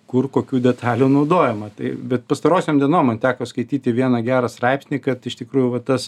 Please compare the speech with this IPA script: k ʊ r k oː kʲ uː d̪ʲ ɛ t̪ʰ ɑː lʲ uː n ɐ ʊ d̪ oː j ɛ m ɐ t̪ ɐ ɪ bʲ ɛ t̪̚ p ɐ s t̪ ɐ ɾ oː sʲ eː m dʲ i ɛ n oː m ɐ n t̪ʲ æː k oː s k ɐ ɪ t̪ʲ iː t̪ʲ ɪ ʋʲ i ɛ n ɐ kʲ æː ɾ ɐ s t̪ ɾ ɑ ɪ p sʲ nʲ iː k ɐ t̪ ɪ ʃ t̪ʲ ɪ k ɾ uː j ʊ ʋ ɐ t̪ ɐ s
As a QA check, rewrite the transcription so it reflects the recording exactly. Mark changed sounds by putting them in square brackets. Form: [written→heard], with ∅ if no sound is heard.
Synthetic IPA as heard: k ʊ r k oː kʲ uː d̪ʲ ɛ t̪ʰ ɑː lʲ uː n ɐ ʊ d̪ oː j ɛ m ɐ t̪ ɐ ɪ bʲ ɛ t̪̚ p ɐ s t̪ ɐ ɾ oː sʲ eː m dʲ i ɛ n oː m ɐ n t̪ʲ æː k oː s k ɐ ɪ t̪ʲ iː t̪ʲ ɪ ʋʲ i ɛ n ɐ [kʲ→ɡʲ] æː ɾ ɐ s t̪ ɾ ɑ ɪ p sʲ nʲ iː k ɐ t̪ ɪ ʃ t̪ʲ ɪ k ɾ uː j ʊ ʋ ɐ t̪ ɐ s